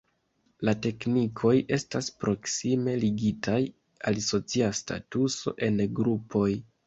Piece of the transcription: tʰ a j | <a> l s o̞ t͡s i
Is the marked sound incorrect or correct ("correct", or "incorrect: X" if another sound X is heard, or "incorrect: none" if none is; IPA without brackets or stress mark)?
correct